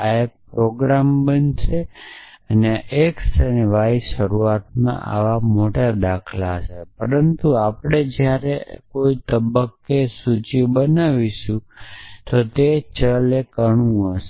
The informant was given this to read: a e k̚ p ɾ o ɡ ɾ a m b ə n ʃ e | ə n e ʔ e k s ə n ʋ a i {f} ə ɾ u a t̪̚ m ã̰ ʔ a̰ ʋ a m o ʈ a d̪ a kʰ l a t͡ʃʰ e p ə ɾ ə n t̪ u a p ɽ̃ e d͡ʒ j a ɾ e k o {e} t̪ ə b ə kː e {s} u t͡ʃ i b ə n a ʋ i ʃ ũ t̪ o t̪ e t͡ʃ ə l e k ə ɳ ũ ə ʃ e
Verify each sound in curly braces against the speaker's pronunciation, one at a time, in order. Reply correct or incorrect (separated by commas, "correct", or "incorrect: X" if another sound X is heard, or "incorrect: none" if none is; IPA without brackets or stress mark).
incorrect: ʃ, incorrect: i, correct